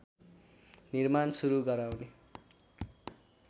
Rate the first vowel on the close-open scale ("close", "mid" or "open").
close